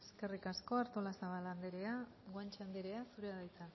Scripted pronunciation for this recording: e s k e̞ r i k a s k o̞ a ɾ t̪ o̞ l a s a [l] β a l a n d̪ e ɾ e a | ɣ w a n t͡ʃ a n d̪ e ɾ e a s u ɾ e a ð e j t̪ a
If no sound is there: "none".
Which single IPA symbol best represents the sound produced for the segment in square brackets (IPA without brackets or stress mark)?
none